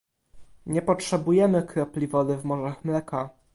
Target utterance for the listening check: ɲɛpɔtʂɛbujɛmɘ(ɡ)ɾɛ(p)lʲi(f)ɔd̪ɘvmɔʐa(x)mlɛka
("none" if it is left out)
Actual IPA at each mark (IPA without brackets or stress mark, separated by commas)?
k, p, v, x